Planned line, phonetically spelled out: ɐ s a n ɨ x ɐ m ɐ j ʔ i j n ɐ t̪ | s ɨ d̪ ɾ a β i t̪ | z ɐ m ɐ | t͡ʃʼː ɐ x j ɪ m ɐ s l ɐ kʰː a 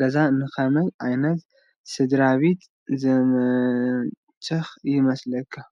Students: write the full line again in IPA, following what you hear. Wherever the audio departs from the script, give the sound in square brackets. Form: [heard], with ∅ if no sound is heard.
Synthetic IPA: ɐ [z] a n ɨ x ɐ m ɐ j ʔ [a] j n ɐ t̪ | s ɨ d̪ ɾ a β i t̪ | z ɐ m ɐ | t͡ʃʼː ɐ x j ɪ m ɐ s l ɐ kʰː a